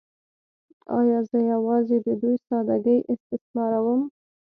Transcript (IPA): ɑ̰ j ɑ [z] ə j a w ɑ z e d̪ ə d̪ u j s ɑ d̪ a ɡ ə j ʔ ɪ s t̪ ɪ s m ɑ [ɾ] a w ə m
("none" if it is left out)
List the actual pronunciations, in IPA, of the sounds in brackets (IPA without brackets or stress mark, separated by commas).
z, ɾ